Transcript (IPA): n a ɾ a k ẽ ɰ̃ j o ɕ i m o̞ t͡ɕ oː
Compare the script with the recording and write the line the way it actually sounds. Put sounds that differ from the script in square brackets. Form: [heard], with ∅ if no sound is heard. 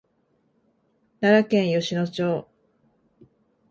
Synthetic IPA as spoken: n a ɾ a k ẽ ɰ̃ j o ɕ i [n] o̞ t͡ɕ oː